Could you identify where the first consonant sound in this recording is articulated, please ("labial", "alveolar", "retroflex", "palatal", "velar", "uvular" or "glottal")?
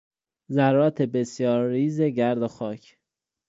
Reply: alveolar